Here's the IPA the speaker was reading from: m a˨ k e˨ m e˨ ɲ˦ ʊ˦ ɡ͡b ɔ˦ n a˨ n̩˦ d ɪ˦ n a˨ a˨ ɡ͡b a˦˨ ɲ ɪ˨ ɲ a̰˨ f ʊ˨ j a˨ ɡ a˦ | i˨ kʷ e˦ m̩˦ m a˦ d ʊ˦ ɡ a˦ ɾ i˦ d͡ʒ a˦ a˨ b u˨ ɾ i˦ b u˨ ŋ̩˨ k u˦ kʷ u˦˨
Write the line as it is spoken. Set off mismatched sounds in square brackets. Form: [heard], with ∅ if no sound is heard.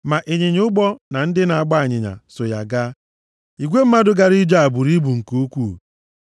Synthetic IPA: m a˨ [ʔ] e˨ [ɲ] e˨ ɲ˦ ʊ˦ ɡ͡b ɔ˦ n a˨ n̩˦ d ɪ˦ n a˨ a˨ ɡ͡b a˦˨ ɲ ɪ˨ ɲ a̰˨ [s] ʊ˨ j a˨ ɡ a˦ | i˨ [ɡʷ] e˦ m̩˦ m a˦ d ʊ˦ ɡ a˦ ɾ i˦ d͡ʒ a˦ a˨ b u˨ ɾ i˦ b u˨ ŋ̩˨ k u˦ kʷ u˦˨